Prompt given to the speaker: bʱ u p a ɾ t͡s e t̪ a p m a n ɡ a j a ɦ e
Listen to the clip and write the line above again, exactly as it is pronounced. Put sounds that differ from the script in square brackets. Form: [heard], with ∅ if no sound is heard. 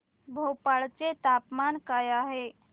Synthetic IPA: bʱ [o] p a [ɭ] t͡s e t̪ a p m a n [k] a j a ɦ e